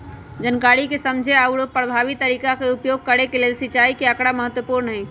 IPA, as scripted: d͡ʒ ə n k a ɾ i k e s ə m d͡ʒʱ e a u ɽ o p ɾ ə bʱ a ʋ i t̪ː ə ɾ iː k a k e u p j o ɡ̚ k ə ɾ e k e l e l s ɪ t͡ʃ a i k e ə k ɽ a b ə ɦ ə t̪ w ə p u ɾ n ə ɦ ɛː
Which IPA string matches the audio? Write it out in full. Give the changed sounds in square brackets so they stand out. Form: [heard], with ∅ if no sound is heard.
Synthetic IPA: d͡ʒ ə n k a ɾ i k e s ə m d͡ʒʱ e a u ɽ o p ɾ ə bʱ a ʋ i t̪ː ə ɾ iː k a k e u p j o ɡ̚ k ə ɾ e k e l e l s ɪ t͡ʃ a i k e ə k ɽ a [m] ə ɦ ə t̪ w ə p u ɾ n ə ɦ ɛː